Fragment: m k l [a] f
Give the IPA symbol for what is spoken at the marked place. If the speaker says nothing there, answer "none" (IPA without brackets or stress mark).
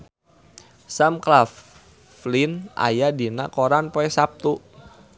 a